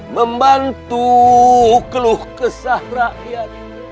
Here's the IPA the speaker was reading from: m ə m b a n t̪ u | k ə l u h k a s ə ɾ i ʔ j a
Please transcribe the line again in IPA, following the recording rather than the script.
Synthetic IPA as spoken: m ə m b a n t̪ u | k ə l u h k ə s a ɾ a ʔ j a